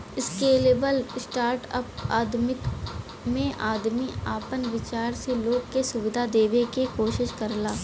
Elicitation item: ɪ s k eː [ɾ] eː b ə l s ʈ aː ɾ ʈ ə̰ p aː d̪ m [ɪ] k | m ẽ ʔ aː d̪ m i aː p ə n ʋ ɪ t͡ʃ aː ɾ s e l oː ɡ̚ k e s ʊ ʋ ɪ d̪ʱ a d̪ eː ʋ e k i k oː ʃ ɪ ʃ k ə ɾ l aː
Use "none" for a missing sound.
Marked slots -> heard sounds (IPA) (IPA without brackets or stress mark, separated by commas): l, ɪ